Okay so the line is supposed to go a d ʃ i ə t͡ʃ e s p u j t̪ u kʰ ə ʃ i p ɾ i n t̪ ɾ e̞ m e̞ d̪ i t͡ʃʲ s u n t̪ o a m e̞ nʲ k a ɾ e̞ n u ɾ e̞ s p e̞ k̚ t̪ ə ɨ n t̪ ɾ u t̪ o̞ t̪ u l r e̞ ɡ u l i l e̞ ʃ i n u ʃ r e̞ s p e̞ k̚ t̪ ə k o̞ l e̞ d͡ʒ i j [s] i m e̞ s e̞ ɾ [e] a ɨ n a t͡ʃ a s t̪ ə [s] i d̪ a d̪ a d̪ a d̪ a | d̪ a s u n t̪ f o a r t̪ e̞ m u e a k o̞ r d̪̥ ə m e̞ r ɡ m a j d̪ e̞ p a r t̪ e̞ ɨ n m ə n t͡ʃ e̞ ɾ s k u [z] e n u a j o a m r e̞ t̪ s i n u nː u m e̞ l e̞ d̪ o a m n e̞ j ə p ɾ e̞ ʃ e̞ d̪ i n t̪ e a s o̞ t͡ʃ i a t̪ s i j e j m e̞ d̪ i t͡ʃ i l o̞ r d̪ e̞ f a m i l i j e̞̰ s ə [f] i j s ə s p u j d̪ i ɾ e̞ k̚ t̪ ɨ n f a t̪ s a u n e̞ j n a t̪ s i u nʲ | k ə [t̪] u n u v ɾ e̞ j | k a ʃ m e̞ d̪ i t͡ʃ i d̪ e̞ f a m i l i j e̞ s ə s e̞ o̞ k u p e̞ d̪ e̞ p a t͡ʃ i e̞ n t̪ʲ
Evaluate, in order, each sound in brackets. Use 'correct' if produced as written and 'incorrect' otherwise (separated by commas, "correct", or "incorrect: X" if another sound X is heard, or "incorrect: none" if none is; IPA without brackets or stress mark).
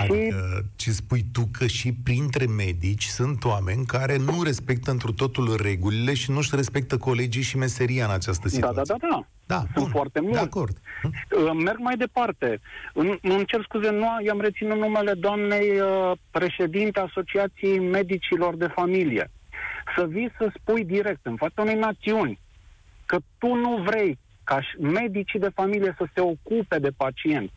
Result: incorrect: ʃ, incorrect: i, correct, correct, incorrect: v, correct